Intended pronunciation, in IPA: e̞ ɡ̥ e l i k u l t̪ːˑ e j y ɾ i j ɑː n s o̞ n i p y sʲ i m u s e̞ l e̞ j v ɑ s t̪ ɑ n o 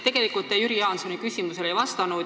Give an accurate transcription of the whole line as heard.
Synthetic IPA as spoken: e̞ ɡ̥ e l i k u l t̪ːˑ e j y ɾ i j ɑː n s o̞ n i k y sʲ i m u s e̞ l e̞ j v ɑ s t̪ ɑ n u